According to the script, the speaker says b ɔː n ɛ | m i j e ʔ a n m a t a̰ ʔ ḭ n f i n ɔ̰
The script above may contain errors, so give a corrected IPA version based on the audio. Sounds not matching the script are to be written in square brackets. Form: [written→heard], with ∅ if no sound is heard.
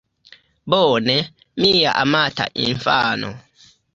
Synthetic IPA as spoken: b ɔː n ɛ | m i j [e→a] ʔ a [n→∅] m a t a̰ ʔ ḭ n f [i→a] n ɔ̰